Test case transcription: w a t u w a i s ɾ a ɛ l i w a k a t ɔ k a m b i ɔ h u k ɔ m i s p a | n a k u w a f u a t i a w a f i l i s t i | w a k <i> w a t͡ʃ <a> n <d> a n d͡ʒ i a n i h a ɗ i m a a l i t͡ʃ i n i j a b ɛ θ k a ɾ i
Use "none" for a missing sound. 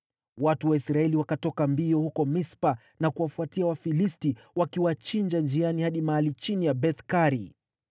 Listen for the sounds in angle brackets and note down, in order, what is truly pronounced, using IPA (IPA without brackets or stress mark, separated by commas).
i, i, d͡ʒ